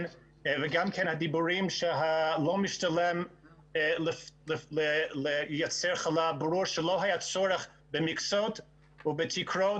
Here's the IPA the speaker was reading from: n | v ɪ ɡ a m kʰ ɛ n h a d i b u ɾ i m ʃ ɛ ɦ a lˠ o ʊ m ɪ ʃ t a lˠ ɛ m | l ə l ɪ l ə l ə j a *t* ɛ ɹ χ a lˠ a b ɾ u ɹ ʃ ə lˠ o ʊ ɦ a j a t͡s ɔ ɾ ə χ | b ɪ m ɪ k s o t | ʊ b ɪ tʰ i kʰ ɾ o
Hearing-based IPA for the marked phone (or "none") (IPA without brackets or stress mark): t͡s